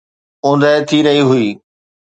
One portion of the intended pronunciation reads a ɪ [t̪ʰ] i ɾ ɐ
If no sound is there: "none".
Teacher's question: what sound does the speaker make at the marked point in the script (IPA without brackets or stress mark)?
t̪ʰ